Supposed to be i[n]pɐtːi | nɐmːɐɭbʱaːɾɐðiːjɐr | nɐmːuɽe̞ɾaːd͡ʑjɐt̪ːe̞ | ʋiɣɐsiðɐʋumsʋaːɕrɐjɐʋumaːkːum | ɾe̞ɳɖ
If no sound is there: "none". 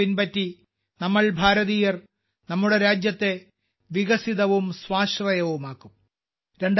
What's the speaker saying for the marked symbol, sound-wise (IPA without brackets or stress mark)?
n